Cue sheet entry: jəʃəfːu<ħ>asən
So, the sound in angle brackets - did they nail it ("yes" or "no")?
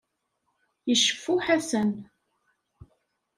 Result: yes